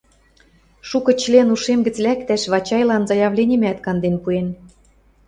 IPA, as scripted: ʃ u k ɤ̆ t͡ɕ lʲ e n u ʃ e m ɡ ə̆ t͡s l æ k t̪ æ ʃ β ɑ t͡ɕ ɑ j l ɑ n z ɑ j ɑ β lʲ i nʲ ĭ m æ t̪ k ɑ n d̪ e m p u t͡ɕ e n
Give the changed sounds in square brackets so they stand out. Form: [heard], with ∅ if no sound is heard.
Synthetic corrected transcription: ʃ u k ɤ̆ t͡ɕ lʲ e n u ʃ e m ɡ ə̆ t͡s l æ k t̪ æ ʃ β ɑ t͡ɕ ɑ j l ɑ n z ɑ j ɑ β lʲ [e] nʲ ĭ m æ t̪ k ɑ n d̪ e [n] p u [∅] e n